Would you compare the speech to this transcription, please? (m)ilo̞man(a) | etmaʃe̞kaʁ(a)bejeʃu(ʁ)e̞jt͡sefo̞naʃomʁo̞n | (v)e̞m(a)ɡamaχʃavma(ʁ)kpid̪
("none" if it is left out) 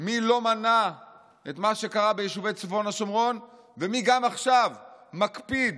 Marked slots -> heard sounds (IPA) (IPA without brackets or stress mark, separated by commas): m, a, a, v, v, i, none